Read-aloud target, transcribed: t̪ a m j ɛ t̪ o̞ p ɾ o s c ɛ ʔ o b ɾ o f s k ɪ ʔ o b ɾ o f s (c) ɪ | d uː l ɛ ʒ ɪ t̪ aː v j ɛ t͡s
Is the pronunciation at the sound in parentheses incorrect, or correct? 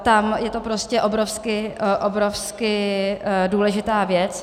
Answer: incorrect